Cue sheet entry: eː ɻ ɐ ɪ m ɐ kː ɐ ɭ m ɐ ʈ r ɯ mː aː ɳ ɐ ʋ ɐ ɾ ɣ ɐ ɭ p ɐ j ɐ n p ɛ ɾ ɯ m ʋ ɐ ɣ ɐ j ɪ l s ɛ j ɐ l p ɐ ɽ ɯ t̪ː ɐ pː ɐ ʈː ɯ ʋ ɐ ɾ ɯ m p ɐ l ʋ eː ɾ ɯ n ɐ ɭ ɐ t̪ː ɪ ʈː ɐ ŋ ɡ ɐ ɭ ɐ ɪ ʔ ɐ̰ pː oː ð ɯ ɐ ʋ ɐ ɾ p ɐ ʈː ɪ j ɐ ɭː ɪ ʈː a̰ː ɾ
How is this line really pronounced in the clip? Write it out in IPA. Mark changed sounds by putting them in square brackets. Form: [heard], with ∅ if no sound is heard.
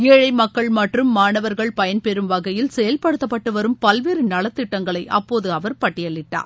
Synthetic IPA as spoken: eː ɻ ɐ ɪ m ɐ kː ɐ ɭ m ɐ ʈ r ɯ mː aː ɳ ɐ ʋ ɐ ɾ ɣ ɐ ɭ p ɐ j ɐ n p ɛ ɾ ɯ m ʋ ɐ ɣ ɐ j ɪ l s ɛ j ɐ l p ɐ ɽ ɯ t̪ː ɐ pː ɐ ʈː ɯ ʋ ɐ ɾ ɯ m p ɐ l ʋ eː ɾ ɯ n ɐ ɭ ɐ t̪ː ɪ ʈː ɐ ŋ ɡ ɐ ɭ ɐ ɪ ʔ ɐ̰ pː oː ð ɯ ɐ ʋ ɐ ɾ p ɐ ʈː ɪ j ɐ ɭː ɪ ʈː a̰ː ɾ